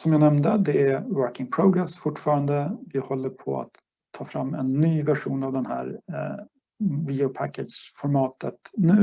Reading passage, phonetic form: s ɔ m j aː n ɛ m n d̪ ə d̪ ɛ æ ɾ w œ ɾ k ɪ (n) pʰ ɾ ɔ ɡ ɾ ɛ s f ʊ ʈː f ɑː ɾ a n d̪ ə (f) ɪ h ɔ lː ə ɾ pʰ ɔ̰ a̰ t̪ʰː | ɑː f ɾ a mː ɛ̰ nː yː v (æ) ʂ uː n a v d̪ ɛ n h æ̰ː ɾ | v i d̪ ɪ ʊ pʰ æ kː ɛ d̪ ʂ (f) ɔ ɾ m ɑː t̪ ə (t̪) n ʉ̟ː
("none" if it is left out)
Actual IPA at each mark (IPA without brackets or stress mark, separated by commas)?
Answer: ŋ, v, æ, f, t̪